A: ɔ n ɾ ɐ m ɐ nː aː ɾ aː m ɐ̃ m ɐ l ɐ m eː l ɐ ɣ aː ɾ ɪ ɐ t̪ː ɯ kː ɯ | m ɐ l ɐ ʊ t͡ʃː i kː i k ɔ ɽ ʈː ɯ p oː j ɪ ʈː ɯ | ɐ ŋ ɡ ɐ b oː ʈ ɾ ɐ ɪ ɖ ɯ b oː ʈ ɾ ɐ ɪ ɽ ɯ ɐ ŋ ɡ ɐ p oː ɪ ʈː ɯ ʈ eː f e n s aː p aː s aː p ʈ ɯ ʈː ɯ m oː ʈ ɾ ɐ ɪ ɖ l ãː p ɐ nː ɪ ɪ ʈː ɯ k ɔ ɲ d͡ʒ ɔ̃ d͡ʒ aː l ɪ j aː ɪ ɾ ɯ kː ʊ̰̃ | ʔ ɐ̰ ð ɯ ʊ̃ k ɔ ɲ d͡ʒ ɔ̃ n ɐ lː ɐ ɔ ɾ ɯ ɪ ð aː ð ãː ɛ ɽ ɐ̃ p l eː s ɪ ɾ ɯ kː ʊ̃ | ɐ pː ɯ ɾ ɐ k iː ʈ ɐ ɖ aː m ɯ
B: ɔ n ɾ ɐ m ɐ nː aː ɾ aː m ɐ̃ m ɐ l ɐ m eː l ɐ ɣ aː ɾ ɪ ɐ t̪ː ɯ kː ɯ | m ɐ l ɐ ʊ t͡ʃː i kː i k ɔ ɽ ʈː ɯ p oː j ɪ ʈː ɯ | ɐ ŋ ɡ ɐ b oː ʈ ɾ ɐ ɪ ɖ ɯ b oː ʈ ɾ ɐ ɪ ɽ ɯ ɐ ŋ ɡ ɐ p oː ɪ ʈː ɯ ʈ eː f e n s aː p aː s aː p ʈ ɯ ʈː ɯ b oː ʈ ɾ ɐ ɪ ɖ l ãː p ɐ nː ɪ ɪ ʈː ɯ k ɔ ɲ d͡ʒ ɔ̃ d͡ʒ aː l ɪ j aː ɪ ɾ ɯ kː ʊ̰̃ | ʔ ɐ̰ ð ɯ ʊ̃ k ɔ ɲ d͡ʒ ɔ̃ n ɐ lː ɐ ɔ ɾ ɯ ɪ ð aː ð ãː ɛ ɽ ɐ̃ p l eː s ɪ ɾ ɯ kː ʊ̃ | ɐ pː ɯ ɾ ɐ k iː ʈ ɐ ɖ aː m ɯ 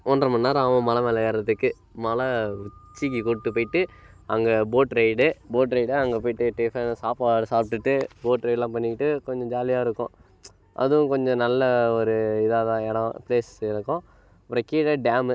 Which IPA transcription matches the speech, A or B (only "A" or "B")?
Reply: B